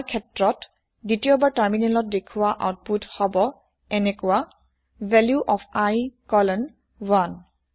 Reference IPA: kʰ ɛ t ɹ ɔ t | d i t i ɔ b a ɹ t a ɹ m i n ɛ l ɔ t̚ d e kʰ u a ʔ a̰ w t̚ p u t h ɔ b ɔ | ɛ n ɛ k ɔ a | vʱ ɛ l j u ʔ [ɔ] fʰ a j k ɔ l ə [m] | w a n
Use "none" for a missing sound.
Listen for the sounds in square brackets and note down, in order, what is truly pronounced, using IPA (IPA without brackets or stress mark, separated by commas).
ɔ, n